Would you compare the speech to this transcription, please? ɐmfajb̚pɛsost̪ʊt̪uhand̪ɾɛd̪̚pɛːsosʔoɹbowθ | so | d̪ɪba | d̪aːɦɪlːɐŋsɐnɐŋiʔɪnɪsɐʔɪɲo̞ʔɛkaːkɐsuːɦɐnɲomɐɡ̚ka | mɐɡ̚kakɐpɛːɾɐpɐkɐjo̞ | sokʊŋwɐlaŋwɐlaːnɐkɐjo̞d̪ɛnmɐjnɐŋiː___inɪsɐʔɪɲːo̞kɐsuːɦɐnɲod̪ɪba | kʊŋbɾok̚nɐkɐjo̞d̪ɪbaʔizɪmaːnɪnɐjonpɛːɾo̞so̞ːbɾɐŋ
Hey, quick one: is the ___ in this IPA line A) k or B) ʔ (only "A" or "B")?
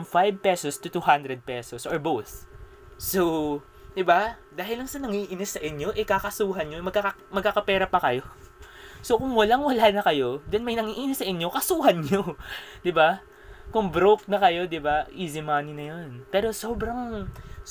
B